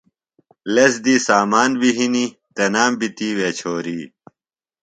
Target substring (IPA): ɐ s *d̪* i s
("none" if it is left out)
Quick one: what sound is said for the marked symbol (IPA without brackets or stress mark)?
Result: d̪